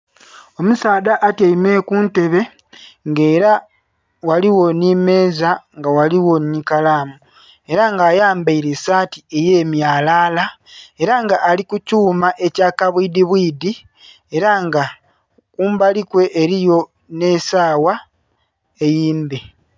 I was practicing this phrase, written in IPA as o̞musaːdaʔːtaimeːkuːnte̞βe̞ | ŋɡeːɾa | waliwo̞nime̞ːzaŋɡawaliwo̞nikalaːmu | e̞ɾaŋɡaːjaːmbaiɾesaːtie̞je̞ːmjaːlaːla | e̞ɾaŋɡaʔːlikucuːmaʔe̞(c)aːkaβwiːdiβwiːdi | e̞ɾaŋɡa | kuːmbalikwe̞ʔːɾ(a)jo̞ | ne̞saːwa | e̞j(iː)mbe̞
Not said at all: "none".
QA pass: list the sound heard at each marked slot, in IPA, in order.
c, i, iː

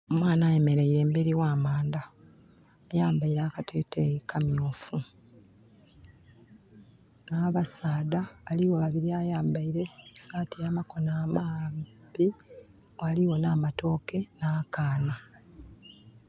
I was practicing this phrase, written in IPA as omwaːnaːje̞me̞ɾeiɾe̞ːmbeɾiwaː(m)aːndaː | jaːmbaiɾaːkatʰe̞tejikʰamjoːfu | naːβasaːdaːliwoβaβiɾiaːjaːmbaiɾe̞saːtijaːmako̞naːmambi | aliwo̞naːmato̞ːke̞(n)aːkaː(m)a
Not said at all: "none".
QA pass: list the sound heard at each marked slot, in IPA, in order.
m, n, n

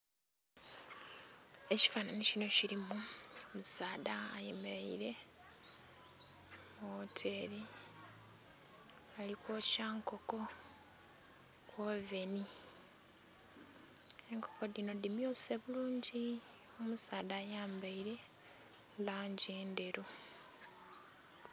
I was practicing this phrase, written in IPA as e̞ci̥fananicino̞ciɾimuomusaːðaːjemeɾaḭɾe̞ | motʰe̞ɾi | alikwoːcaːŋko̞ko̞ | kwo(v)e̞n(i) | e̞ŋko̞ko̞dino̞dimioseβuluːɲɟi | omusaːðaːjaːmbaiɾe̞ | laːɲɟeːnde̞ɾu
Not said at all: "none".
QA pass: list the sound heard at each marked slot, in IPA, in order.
v, i

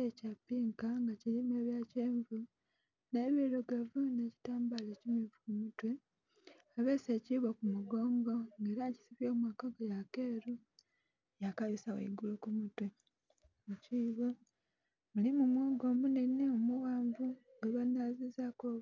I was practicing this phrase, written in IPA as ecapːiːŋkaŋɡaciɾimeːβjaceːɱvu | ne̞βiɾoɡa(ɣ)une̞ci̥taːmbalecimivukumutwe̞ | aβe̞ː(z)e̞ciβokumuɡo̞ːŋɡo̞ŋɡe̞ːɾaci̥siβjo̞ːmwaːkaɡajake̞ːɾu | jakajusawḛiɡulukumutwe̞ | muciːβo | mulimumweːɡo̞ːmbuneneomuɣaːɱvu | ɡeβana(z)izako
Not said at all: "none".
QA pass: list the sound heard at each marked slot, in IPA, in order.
v, s, z

